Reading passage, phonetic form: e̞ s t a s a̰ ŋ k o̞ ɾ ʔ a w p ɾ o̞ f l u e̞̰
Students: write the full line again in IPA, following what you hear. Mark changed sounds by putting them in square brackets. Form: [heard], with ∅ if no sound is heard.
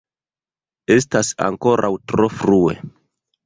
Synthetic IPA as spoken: e̞ s t a s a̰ ŋ k o̞ ɾ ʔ a w [t] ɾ o̞ f [ɾ] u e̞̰